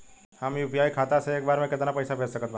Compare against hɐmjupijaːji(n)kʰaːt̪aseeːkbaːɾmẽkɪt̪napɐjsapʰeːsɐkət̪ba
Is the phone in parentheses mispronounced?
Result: yes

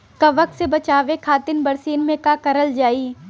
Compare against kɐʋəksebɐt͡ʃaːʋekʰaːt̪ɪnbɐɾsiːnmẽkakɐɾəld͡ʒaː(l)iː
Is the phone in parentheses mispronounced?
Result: yes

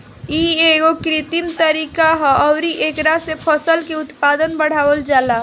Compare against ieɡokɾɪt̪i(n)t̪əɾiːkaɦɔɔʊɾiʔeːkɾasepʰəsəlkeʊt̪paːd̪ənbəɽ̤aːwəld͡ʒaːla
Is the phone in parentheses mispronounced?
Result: yes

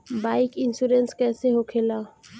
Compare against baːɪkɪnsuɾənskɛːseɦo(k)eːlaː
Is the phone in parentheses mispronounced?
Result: yes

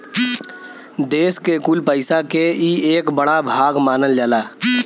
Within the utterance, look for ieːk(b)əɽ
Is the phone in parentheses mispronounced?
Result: no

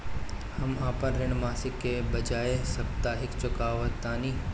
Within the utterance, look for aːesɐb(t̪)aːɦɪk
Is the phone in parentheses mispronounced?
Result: no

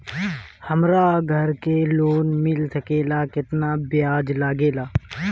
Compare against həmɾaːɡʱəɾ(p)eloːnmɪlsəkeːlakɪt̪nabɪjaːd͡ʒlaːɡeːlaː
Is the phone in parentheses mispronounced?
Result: yes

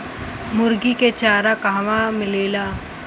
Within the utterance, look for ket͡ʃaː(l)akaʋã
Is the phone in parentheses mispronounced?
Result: yes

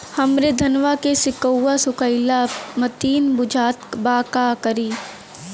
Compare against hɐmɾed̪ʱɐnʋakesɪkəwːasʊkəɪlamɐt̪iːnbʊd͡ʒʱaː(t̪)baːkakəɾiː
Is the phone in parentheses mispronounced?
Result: no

